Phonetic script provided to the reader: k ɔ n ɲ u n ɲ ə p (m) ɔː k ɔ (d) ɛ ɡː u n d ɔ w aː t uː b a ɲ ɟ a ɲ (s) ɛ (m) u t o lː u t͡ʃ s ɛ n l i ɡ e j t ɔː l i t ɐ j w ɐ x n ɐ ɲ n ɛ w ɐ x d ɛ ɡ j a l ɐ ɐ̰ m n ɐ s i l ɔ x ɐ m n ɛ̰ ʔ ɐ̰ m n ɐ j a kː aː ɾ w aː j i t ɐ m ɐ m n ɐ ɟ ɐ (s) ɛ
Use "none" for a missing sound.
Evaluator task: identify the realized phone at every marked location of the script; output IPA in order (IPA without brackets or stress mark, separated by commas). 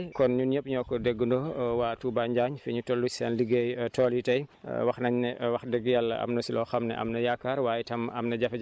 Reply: ɲ, d, f, ɲ, f